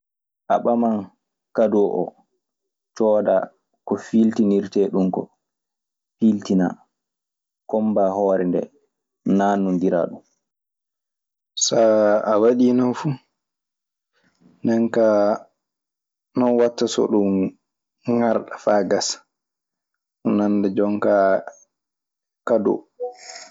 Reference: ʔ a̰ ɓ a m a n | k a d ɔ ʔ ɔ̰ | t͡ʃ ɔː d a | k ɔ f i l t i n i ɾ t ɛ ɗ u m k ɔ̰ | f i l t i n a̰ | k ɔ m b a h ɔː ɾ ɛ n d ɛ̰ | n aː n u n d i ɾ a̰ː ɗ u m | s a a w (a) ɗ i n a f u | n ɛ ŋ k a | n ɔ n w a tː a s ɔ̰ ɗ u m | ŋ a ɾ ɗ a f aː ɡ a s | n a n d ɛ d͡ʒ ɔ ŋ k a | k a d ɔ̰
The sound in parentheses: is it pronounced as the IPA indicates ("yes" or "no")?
yes